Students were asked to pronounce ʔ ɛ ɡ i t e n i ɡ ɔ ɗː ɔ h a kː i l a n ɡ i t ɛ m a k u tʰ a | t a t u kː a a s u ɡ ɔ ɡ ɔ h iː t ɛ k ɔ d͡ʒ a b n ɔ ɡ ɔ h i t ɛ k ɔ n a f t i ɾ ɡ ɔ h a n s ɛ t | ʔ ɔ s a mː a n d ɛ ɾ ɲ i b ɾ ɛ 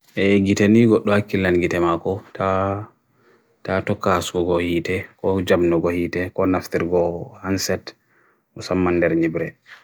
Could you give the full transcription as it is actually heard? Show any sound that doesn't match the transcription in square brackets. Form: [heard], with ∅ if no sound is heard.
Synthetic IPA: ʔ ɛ ɡ i t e n i ɡ ɔ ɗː ɔ h a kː i l a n ɡ i t ɛ m a k [ɔ] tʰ a | t a t [ɔ] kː a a s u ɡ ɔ ɡ ɔ h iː t ɛ k ɔ d͡ʒ a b n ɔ ɡ ɔ h i t ɛ k ɔ n a f t i ɾ ɡ ɔ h a n s ɛ t | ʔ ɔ s a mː a n d ɛ ɾ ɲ i b ɾ ɛ

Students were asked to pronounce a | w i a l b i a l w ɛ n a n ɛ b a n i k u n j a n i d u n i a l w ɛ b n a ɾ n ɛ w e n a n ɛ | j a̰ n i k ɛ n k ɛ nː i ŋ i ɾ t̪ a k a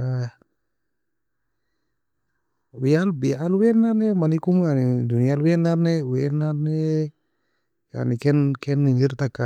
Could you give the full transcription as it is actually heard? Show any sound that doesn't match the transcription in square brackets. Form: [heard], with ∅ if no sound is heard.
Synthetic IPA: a | w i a l b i a l w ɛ n a n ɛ [m] a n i k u [m] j a n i d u n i a l w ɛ [∅] n a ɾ n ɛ w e n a n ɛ | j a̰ n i k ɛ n k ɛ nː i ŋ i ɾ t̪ a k a

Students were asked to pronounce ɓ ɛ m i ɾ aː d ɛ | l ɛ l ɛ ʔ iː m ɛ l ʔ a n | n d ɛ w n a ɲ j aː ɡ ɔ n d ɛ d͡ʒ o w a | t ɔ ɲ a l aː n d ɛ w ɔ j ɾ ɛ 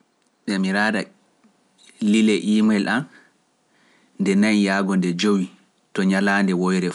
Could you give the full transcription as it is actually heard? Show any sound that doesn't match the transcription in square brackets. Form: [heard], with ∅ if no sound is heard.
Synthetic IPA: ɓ ɛ m i ɾ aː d [a] | l [i] l ɛ ʔ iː m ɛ l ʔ a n | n d ɛ [∅] n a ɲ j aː ɡ ɔ n d ɛ d͡ʒ o w [i] | t ɔ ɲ a l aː n d ɛ w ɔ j ɾ ɛ

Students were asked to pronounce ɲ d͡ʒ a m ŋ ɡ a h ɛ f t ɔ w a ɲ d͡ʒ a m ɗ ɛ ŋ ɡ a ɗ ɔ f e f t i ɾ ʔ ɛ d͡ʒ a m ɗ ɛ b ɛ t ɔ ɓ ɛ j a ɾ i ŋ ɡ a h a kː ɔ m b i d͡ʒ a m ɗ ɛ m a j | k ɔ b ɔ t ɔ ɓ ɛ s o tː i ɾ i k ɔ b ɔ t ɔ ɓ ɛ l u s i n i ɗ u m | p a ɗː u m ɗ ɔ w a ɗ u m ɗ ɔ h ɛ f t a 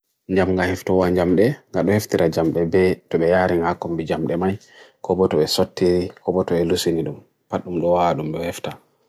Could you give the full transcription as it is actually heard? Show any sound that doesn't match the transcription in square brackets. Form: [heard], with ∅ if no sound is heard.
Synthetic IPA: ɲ d͡ʒ a m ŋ ɡ a h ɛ f t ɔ w a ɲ d͡ʒ a m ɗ ɛ ŋ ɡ a ɗ ɔ [h] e f t i ɾ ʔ [a] d͡ʒ a m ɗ ɛ b ɛ t ɔ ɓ ɛ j a ɾ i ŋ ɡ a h a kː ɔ m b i d͡ʒ a m ɗ ɛ m a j | k ɔ b ɔ t ɔ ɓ ɛ s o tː i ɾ i k ɔ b ɔ t ɔ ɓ ɛ l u s i n i ɗ u m | p a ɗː u m ɗ ɔ w a ɗ u m ɗ ɔ h ɛ f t a

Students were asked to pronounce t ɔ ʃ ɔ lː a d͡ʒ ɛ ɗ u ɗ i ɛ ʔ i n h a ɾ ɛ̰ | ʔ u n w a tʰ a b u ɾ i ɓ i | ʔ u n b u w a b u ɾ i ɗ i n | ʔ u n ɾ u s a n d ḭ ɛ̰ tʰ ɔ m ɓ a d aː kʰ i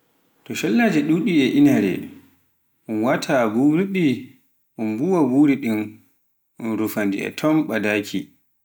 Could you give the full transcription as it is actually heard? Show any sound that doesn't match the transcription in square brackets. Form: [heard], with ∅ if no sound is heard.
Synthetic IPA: t ɔ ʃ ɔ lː a d͡ʒ ɛ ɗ u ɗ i ɛ ʔ i n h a ɾ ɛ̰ | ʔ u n w a tʰ a b u ɾ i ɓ i | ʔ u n b u w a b u ɾ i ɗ i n | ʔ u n ɾ u [f] a n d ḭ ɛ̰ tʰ ɔ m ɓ a d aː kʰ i

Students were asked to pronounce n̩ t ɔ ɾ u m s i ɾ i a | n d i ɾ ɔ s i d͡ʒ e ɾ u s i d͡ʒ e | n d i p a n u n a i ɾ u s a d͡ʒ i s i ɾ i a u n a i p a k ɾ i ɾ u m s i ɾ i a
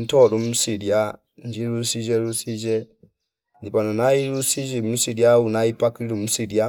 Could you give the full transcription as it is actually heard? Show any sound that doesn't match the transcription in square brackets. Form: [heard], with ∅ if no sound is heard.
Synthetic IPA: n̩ t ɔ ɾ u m s i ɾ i a | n [d͡ʒ] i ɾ [u] s i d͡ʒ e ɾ u s i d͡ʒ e | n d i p a n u n a i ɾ u s [i] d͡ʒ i s i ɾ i a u n a i p a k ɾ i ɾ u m s i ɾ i a

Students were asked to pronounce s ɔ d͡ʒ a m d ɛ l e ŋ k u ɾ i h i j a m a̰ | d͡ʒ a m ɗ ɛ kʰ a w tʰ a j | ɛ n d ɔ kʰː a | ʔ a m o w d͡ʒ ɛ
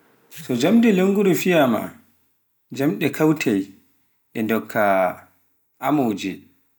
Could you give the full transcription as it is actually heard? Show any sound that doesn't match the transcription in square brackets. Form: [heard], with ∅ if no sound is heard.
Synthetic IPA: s ɔ d͡ʒ a m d ɛ l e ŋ [ɡ] u ɾ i [f] i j a m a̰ | d͡ʒ a m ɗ ɛ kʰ a w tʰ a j | ɛ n d ɔ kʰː a | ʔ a m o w d͡ʒ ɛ

